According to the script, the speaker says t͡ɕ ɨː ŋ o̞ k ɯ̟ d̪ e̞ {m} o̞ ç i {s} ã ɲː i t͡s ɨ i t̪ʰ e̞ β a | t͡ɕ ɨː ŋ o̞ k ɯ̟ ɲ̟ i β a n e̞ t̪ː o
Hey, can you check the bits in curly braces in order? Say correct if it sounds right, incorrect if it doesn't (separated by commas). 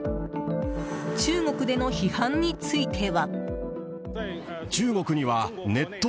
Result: incorrect, incorrect